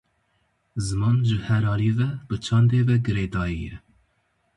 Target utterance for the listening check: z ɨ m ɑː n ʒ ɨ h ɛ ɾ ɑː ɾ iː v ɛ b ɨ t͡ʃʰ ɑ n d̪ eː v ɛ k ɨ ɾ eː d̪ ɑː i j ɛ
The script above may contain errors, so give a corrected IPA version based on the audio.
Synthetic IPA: z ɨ m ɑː n ʒ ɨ h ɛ ɾ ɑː l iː v ɛ b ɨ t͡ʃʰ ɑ n d̪ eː v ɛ ɡ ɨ ɾ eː d̪ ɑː i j ɛ